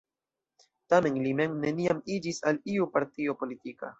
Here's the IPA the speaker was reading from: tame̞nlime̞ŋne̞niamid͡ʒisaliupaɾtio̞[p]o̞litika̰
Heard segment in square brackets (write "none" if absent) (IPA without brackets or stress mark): p